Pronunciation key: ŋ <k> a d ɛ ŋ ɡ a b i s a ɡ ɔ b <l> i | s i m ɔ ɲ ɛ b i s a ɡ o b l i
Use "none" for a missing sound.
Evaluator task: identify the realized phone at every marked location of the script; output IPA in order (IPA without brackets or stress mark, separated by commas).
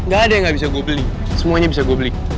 ɡ, l